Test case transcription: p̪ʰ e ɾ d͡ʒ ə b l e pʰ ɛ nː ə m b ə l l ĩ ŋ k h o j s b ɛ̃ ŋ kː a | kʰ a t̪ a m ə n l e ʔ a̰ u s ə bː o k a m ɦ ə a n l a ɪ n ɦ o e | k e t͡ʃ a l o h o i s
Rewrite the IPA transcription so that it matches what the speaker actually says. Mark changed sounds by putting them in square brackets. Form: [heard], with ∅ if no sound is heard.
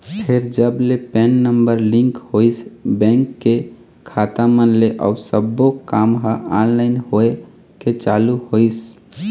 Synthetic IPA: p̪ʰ e ɾ d͡ʒ ə b l e [p] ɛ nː ə m b ə [ɾ] l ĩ ŋ k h o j s b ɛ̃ ŋ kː [e] | kʰ a t̪ a m ə n l e ʔ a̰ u s ə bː o k a m ɦ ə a n l a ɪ n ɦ o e | k e t͡ʃ a l [u] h o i s